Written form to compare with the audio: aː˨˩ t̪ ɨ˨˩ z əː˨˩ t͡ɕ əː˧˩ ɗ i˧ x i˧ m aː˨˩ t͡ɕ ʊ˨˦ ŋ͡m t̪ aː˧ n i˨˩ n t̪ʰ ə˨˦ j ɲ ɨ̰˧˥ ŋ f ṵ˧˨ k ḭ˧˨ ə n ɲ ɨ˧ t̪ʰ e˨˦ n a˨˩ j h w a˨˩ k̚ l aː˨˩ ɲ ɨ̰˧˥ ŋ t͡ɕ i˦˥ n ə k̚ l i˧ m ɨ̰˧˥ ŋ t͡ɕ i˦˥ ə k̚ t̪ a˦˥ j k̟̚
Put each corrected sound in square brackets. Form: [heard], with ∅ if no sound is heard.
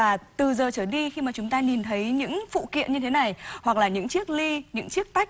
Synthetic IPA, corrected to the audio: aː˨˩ t̪ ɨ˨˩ z əː˨˩ t͡ɕ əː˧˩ ɗ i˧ x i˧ m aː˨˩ t͡ɕ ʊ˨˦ ŋ͡m t̪ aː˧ n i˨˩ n t̪ʰ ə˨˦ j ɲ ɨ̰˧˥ ŋ f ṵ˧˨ k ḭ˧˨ ə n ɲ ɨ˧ t̪ʰ e˨˦ n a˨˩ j h w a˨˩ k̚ l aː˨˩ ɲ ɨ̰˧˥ ŋ t͡ɕ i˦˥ [∅] ə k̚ l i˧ [ɲ] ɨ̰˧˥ ŋ t͡ɕ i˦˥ ə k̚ t̪ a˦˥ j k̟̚